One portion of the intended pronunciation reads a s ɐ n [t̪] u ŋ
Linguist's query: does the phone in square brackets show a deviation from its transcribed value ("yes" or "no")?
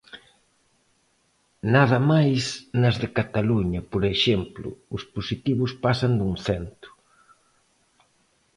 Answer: yes